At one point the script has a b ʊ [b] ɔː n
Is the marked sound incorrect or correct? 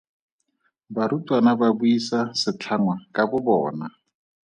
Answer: correct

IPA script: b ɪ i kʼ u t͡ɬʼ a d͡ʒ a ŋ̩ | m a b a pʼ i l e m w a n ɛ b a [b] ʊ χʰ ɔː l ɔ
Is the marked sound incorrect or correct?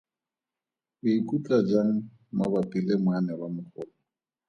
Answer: incorrect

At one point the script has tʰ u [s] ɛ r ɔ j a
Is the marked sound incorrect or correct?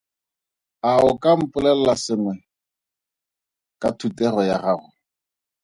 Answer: incorrect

